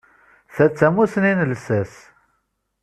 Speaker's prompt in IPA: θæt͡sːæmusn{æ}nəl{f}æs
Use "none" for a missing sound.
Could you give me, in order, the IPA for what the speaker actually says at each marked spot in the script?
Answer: i, s

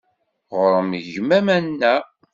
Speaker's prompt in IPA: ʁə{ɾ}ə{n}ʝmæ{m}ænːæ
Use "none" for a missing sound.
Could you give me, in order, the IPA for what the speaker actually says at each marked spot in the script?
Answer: ɾ, m, m

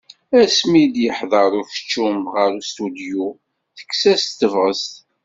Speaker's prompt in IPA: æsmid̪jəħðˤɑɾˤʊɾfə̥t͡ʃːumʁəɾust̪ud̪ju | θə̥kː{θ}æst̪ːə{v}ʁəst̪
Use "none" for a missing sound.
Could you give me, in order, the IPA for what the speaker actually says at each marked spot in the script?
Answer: s, v

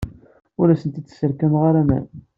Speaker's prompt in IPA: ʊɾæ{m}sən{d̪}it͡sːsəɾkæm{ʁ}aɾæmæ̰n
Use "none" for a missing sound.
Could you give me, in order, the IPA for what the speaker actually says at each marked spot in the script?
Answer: none, t̪, ʁ

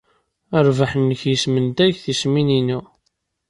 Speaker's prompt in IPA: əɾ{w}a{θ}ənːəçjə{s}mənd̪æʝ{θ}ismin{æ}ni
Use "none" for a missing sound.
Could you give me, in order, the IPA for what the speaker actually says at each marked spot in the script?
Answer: v, ħ, s, θ, i

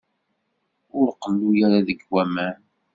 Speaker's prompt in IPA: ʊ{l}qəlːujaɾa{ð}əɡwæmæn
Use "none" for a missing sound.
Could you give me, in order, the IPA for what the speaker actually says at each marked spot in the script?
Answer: ɾ, ð

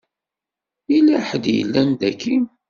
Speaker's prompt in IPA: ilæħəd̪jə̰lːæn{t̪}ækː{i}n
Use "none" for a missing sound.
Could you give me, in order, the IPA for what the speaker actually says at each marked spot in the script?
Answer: d̪, i

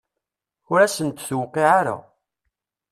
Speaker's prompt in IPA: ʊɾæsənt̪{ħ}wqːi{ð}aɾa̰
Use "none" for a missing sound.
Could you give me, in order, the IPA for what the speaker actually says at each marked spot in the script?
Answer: θ, ʕ

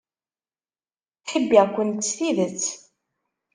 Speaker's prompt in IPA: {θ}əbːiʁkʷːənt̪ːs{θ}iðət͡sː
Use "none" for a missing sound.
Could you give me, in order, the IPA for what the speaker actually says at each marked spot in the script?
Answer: ħ, θ

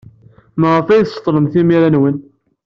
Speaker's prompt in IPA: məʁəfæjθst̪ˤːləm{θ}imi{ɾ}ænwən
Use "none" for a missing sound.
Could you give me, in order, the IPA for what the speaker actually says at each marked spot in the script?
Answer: θ, ɾ

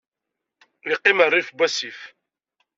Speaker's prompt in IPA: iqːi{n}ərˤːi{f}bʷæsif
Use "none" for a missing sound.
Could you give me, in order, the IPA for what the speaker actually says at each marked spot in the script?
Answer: m, f

